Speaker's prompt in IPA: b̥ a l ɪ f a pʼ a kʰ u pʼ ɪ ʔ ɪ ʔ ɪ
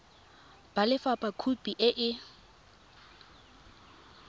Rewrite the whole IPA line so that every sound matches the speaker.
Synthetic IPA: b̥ a l ɪ f a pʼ a kʰ u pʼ i ʔ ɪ ʔ ɪ